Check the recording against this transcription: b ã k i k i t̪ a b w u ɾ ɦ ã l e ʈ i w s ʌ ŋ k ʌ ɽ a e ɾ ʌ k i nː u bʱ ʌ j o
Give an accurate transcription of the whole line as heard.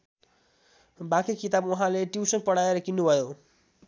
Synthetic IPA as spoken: b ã k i k i t̪ a b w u ɦ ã l e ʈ i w s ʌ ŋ p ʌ ɽ a e ɾ ʌ k i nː u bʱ ʌ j o